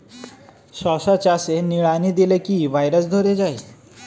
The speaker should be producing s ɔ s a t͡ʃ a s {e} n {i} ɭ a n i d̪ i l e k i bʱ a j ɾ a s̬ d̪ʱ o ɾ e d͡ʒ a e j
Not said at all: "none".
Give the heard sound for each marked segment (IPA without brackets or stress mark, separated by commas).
e, i